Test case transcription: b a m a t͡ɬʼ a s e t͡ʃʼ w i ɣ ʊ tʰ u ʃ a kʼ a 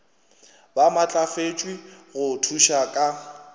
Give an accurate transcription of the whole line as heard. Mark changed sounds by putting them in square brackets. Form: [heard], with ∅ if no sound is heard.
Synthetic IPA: b a m a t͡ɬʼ a [f] e t͡ʃʼ w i ɣ ʊ tʰ u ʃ a kʼ a